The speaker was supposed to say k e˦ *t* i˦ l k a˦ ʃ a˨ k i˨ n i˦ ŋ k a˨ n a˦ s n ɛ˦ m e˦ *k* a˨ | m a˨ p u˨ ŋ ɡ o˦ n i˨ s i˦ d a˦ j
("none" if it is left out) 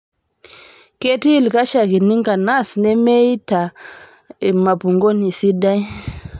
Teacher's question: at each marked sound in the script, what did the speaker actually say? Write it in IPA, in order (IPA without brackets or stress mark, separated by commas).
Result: t, t